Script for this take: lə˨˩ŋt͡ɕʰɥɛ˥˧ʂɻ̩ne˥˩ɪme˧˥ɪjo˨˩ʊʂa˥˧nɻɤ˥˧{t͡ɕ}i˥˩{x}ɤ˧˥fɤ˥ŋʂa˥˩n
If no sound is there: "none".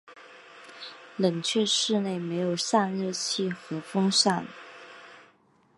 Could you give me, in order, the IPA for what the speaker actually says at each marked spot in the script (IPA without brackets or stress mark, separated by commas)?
t͡ɕʰ, x